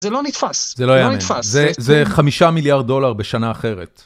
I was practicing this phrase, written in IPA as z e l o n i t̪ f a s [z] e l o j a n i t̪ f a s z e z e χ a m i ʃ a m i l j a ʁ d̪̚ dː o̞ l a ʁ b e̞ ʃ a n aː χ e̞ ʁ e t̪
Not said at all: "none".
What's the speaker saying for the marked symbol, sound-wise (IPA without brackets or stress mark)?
z